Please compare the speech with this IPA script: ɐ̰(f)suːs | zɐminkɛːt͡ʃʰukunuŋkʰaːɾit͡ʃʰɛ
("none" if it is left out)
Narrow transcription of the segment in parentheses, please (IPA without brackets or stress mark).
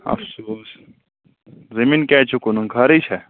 f